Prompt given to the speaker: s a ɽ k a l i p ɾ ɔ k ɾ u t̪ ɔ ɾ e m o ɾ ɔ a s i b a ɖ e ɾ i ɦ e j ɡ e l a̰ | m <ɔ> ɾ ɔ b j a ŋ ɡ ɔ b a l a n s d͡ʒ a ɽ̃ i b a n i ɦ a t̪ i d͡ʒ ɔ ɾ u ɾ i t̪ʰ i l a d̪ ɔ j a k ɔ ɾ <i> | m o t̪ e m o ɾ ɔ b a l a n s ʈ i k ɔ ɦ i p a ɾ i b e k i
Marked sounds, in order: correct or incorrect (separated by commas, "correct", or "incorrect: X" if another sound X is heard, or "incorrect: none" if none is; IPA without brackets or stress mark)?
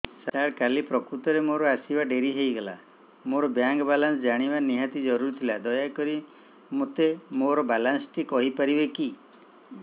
incorrect: o, correct